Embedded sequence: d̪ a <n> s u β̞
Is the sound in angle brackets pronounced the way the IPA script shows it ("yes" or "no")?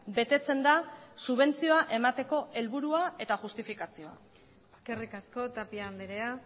no